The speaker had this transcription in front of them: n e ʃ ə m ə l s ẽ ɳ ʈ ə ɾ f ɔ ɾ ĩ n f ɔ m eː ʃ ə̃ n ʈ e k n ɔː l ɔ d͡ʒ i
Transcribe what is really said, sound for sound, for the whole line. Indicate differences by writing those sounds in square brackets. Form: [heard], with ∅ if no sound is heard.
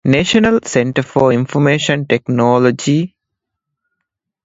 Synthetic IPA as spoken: n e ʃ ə [n] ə l s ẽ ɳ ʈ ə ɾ f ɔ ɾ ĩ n f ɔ m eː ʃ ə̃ n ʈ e k n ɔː l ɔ d͡ʒ i

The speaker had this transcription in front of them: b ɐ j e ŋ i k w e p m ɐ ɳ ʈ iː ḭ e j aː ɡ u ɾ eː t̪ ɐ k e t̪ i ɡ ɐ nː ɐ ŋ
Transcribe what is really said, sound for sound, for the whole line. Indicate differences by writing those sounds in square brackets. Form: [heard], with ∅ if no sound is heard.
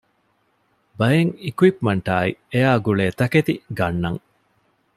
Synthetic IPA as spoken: b ɐ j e ŋ i k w [i] p m ɐ ɳ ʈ [aː] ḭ e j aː ɡ u [ɭ] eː t̪ ɐ k e t̪ i ɡ ɐ nː ɐ ŋ

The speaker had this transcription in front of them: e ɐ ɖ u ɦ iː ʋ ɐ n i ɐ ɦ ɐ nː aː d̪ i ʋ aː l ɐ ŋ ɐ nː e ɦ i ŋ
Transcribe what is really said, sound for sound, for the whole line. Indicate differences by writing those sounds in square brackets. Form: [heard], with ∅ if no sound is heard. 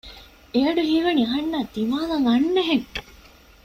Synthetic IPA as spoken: e ɐ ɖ u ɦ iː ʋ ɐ n i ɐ ɦ ɐ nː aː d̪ i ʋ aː l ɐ ŋ ɐ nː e ɦ [e] ŋ

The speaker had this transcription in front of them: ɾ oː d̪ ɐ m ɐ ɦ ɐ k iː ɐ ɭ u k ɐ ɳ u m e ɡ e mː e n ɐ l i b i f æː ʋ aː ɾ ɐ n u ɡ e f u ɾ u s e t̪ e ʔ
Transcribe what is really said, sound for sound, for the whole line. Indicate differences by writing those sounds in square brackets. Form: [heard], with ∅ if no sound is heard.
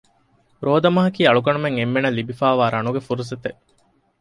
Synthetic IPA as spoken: ɾ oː d̪ ɐ m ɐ ɦ ɐ k iː ɐ ɭ u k ɐ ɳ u m e [ŋ] e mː e n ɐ l i b i f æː ʋ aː ɾ ɐ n u ɡ e f u ɾ u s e t̪ e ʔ

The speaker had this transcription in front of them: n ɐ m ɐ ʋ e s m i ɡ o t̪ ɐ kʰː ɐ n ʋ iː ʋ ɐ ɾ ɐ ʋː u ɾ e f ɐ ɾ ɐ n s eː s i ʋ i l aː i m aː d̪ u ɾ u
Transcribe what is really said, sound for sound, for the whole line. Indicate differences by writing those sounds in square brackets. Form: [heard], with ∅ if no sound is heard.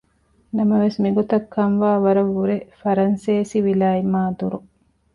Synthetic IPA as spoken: n ɐ m ɐ ʋ e s m i ɡ o t̪ ɐ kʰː ɐ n ʋ [aː] ʋ ɐ ɾ ɐ ʋː u ɾ e f ɐ ɾ ɐ n s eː s i ʋ i l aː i m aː d̪ u ɾ u

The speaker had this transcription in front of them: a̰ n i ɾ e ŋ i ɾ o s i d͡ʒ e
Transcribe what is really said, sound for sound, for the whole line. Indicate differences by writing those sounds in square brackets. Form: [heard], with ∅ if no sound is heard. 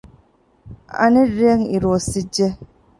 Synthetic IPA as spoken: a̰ n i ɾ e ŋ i ɾ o s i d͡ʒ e

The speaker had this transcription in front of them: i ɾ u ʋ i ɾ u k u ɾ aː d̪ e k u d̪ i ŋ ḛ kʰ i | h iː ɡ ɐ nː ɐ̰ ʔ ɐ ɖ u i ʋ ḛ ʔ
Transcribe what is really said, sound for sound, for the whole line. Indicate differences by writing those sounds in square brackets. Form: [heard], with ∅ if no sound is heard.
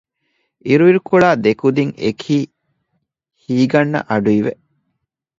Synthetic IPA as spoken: i ɾ u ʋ i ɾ u k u [ɭ] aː d̪ e k u d̪ i ŋ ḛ kʰ [iː] | h iː ɡ ɐ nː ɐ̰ ʔ ɐ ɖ u i ʋ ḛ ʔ

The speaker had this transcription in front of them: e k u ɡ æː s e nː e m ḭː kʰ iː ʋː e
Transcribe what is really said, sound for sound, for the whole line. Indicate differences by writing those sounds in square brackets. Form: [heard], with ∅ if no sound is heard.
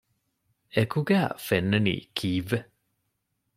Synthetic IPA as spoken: e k u ɡ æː [f] e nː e [n] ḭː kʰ iː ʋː e

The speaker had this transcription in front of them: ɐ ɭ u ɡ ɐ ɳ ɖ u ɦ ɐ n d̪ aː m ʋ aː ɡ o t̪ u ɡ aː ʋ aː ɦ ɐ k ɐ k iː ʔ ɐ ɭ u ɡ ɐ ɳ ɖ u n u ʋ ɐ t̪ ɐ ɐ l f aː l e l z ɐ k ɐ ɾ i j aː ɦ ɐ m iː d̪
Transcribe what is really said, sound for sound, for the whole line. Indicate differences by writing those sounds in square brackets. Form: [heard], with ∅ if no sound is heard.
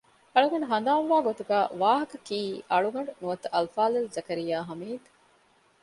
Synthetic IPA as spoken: ɐ ɭ u ɡ ɐ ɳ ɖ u ɦ ɐ n d̪ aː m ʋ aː ɡ o t̪ u ɡ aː ʋ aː ɦ ɐ k ɐ k iː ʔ ɐ ɭ u ɡ ɐ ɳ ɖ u n u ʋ ɐ t̪ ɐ ɐ l f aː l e l z ɐ k ɐ ɾ i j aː ɦ ɐ m iː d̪

